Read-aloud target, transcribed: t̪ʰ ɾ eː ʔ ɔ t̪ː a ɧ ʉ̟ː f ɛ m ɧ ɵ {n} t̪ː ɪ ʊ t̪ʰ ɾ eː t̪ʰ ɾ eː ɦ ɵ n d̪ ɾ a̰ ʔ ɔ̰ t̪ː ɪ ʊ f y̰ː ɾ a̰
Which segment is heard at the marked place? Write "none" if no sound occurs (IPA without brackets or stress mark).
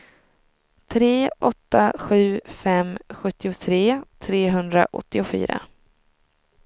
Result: none